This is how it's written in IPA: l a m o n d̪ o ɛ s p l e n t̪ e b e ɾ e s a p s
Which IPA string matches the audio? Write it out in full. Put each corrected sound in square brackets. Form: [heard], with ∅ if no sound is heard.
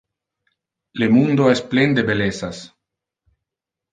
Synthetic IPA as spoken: l [e] m [u] n d̪ o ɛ s p l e n [d̪] e b e [l] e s a [∅] s